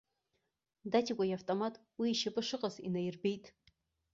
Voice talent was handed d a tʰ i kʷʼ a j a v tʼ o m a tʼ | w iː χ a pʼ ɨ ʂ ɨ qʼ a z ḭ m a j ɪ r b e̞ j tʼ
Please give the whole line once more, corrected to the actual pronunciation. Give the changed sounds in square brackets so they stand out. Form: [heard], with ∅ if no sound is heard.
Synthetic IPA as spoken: d a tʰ i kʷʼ a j a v tʼ o m a tʼ | w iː [ʃ] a pʼ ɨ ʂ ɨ qʼ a z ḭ [n] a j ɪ r b e̞ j tʼ

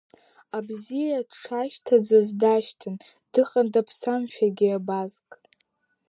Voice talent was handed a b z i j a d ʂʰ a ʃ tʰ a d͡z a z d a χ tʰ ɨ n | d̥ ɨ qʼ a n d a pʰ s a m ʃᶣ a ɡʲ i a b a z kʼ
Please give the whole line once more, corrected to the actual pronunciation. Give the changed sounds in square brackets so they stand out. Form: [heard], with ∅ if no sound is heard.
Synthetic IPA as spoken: a b z i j a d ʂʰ a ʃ tʰ a d͡z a z d a [ʃ] tʰ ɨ n | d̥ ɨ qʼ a n d a pʰ s a m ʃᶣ a ɡʲ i a b a z kʼ

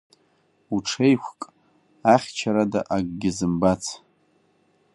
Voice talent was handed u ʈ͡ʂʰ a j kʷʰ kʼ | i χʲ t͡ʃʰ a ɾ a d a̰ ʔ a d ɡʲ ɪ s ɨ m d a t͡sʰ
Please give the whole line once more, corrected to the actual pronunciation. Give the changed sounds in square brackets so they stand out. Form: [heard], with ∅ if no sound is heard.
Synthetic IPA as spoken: u ʈ͡ʂʰ [e] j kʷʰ kʼ | [a] χʲ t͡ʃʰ a ɾ a d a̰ ʔ a [ɡ] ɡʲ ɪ [z] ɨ m [b] a t͡sʰ

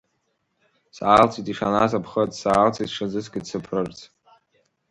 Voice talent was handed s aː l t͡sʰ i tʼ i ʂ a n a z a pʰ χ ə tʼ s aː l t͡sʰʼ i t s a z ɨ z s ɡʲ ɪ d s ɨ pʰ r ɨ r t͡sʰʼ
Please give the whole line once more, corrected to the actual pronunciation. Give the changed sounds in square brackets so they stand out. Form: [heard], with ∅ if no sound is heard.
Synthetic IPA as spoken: s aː l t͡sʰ i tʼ i ʂ a n a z a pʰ χ ə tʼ s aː l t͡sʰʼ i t [ʂ] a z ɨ [∅] s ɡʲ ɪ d s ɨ pʰ r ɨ r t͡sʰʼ

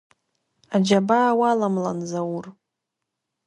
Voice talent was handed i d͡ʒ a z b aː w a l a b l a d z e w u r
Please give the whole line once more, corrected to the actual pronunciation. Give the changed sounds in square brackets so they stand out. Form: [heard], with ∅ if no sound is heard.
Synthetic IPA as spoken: [a] d͡ʒ a [∅] b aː w a l a [m] l a [n] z [a] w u r

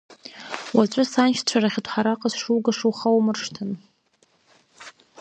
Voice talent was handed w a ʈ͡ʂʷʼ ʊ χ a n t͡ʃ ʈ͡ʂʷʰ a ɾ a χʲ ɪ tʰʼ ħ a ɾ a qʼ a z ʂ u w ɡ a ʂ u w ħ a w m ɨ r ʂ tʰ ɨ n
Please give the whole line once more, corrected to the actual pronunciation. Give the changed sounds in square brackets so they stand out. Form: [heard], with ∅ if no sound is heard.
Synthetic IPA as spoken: w a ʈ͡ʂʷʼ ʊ [s] a n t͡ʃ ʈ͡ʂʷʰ a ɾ a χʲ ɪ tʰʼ ħ a ɾ a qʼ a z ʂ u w ɡ a ʂ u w [χ] a w m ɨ r ʂ tʰ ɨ n

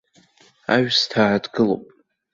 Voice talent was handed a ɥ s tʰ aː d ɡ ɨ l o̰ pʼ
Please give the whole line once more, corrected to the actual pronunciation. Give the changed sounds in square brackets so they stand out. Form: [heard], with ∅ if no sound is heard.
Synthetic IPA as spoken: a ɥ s tʰ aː d ɡ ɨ l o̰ pʼ

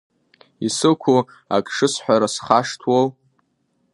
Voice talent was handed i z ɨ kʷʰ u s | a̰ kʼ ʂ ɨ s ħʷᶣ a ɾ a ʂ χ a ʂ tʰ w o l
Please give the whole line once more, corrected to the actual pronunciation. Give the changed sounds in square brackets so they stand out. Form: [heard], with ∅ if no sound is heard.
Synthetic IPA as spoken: i [s] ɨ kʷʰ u [∅] | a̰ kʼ ʂ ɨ s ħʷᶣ a ɾ a [s] χ a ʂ tʰ w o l

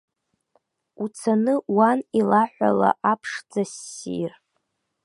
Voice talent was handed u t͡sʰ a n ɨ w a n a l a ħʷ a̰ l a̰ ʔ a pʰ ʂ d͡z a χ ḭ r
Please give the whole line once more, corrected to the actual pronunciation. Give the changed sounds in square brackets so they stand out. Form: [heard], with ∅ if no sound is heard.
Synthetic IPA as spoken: u t͡sʰ a n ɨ w a n [i] l a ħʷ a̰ l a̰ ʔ a pʰ ʂ d͡z a [s] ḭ r

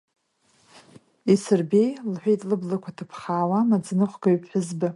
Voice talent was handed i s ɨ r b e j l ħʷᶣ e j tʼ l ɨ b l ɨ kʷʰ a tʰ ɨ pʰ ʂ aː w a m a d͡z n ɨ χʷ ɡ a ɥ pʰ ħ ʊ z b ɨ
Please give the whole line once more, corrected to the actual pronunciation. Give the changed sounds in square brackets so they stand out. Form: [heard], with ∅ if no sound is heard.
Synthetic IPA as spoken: i s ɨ r b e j l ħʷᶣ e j tʼ l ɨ b l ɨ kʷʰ a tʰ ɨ pʰ [χ] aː w a m a d͡z n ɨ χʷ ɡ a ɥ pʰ ħ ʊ z b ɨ

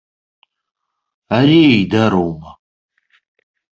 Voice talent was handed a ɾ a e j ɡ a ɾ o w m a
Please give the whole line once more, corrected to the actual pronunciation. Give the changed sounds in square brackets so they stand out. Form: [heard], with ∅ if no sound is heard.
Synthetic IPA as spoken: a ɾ [i] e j [d] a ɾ o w m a

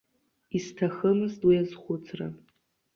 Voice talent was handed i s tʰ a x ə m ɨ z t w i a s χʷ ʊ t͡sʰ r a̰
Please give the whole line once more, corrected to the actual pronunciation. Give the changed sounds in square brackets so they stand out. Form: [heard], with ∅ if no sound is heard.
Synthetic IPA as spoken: i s tʰ a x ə m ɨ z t w i a [z] χʷ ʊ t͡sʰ r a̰

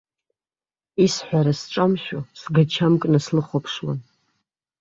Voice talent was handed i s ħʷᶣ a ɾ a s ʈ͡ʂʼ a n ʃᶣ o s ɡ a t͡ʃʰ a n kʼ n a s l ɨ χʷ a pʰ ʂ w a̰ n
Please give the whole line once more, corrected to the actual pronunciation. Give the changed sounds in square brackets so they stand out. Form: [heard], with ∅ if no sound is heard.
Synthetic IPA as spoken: i s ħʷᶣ a ɾ a s ʈ͡ʂʼ a [m] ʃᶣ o s ɡ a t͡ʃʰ a [m] kʼ n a s l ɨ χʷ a pʰ ʂ w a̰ n

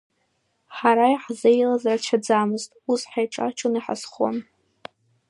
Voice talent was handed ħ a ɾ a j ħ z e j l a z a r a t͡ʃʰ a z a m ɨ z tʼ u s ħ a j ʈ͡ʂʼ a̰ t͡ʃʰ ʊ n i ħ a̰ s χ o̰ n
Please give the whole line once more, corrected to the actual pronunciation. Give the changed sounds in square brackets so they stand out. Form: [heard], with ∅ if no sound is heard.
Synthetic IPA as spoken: ħ a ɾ a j ħ z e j l a z a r a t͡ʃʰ a [d͡z] a m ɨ z tʼ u s ħ a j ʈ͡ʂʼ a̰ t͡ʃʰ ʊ n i ħ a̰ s χ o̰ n

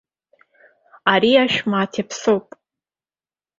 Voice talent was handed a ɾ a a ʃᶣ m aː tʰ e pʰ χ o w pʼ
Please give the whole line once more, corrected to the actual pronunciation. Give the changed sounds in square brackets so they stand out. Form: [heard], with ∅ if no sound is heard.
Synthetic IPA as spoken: a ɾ [i] a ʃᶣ m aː tʰ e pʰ [s] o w pʼ

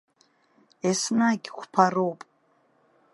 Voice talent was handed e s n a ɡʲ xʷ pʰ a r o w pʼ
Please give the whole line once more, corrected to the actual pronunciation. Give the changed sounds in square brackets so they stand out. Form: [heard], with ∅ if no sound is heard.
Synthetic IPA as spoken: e s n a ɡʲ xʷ pʰ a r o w pʼ

